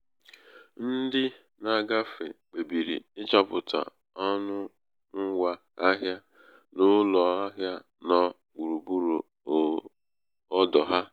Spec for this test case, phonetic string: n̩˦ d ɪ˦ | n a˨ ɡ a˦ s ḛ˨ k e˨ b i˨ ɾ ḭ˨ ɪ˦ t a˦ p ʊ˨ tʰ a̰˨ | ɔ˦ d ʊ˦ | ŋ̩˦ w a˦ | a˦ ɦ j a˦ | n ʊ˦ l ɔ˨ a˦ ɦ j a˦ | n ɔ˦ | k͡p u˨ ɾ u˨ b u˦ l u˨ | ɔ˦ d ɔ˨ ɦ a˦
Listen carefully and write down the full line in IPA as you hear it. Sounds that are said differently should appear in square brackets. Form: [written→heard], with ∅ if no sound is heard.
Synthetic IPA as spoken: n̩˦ d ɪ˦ | n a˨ ɡ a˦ [s→f] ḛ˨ [k→k͡p] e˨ b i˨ ɾ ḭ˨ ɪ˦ [t→t͡ʃ] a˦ p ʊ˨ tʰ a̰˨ | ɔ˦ [d→n] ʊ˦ | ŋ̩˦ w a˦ | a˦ ɦ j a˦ | n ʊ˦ l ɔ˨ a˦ ɦ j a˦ | n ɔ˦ | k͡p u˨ ɾ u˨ b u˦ [l→ɾ] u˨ | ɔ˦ d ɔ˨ ɦ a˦